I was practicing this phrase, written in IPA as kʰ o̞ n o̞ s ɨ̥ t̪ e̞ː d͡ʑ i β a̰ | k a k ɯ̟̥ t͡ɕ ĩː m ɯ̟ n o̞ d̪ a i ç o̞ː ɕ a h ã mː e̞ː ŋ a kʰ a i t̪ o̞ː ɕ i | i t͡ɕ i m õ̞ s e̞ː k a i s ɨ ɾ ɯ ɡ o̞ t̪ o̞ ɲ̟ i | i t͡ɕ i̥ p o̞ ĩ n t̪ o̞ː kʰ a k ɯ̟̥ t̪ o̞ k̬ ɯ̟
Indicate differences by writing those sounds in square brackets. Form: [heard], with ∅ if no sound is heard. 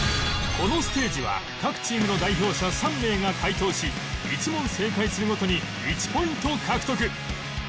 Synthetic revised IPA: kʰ o̞ n o̞ s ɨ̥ t̪ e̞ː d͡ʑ i β a̰ | k a k ɯ̟̥ t͡ɕ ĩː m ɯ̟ n o̞ d̪ a i ç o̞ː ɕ a [s] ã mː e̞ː ŋ a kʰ a i t̪ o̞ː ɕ i | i t͡ɕ i m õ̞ s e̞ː k a i s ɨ ɾ ɯ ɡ o̞ t̪ o̞ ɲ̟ i | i t͡ɕ i̥ p o̞ ĩ n t̪ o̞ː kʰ a k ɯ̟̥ t̪ o̞ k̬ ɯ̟